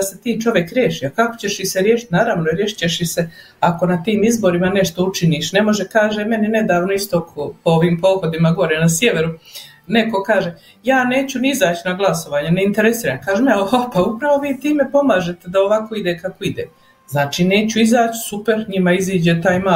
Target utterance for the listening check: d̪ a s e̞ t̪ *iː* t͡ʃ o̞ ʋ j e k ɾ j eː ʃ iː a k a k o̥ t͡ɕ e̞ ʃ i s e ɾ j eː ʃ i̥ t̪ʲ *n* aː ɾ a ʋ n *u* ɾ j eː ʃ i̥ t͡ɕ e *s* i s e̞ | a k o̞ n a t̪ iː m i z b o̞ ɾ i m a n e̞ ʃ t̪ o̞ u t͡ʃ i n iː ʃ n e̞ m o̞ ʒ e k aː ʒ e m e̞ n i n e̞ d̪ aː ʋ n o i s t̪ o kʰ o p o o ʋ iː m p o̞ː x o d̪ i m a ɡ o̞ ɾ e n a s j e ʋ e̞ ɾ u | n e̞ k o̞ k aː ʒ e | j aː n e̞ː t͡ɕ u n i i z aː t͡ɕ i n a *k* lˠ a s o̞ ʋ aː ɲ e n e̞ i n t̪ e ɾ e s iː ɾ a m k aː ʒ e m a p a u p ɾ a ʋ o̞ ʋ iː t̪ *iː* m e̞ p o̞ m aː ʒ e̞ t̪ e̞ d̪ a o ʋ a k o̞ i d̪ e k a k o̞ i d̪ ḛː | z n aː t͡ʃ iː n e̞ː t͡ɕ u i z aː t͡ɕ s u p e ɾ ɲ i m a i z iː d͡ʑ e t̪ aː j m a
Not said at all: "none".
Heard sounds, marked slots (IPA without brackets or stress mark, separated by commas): iː, n, o, ʃ, ɡ, iː